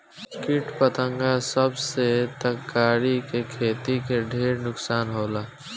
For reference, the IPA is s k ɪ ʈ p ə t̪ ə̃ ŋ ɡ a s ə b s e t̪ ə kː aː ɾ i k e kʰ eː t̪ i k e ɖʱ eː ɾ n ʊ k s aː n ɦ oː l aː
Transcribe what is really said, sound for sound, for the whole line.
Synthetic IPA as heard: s k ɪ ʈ p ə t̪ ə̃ ŋ ɡ a s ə b s e t̪ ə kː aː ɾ i k e kʰ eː t̪ i k e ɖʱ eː ɾ n ʊ k s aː n ɦ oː l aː